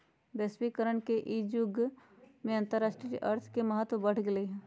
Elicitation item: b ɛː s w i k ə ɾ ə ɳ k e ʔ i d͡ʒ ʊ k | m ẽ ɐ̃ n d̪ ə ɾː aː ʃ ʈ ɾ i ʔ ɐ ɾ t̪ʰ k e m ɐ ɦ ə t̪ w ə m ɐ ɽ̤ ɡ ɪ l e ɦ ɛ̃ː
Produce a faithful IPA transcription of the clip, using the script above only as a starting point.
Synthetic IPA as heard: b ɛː s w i k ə ɾ ə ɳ k e ʔ i d͡ʒ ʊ ɡ | m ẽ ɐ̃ n t̪ ə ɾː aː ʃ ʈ ɾ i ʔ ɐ ɾ t̪ʰ k e m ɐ ɦ ə t̪ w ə b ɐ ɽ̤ ɡ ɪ l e ɦ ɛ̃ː

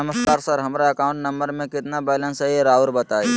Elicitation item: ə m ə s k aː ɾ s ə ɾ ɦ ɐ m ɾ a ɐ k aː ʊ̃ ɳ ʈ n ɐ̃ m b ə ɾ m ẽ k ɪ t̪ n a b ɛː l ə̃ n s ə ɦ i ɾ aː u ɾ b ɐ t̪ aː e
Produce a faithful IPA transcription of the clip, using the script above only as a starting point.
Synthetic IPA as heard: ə m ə s k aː ɾ s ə ɾ ɦ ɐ m ɾ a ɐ k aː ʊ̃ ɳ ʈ n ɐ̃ m b ə ɾ m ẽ k ɪ t̪ n a b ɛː l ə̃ n s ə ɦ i ɾ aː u ɾ b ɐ t̪ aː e

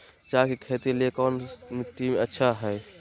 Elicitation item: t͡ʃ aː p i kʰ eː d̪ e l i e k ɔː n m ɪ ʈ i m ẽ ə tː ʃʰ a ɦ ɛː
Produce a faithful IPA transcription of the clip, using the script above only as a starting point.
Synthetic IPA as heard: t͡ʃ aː k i kʰ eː t̪ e l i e k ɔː n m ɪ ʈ i m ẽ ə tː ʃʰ a ɦ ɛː

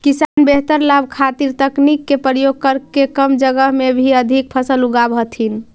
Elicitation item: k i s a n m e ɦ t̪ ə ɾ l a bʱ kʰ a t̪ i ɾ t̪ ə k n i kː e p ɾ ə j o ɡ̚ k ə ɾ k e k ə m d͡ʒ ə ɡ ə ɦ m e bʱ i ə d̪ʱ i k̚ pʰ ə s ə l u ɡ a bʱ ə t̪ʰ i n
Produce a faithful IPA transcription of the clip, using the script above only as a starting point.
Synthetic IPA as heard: k i s a n b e ɦ t̪ ə ɾ l a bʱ kʰ a t̪ i ɾ t̪ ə k n i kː e p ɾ ə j o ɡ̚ k ə ɾ k e k ə m d͡ʒ ə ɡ ə ɦ m e bʱ i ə d̪ʱ i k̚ pʰ ə s ə l u ɡ a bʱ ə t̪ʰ i n

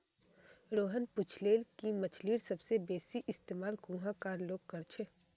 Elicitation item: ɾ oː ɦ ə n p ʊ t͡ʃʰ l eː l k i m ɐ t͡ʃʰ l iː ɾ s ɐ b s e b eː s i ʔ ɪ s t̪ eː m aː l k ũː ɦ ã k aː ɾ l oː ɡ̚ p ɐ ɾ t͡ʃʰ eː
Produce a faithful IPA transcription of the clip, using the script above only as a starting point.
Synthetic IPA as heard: ɾ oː ɦ ə n p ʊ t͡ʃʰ l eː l k i m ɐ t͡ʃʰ l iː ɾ s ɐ b s e b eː s i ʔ ɪ s t̪ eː m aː l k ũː ɦ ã k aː ɾ l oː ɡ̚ k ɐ ɾ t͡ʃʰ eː

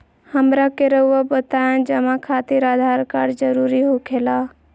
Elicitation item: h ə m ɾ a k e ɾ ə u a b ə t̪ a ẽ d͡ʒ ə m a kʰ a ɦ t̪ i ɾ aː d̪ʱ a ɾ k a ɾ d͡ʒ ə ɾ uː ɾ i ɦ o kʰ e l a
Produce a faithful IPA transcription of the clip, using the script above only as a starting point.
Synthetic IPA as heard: h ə m ɾ a k e ɾ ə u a b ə t̪ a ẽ d͡ʒ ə m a kʰ a t̪ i ɾ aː d̪ʱ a ɾ k a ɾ d͡ʒ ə ɾ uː ɾ i ɦ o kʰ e l a

